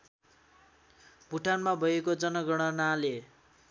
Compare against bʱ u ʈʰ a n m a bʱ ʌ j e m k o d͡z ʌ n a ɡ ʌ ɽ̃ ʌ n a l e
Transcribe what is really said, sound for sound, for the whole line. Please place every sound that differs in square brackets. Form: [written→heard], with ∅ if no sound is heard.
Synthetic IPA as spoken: bʱ u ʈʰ a n m a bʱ ʌ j e [m→∅] k o d͡z ʌ n [a→ʌ] ɡ ʌ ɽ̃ ʌ n a l e